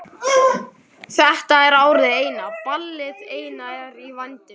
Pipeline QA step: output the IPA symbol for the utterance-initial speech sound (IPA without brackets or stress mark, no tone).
θ